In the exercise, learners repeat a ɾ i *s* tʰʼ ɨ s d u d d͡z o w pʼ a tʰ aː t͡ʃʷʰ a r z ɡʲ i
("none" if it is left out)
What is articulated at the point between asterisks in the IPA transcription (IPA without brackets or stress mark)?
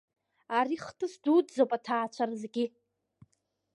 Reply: χ